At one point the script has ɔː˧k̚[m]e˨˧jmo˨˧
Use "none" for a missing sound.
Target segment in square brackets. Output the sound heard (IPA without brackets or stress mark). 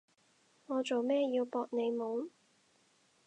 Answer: n